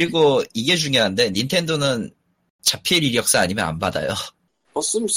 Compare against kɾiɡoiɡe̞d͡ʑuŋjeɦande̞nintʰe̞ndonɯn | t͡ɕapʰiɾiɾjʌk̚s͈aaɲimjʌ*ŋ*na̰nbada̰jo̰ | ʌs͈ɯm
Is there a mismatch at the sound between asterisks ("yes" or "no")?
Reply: yes